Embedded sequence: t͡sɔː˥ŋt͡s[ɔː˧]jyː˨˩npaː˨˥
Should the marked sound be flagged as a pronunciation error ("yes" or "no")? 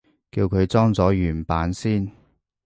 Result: yes